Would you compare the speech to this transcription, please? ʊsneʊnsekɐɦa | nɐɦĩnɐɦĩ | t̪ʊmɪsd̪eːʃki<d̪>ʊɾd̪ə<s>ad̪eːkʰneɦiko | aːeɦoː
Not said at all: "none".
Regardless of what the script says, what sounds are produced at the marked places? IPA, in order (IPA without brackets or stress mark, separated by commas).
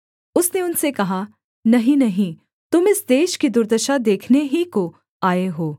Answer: d̪, ʃ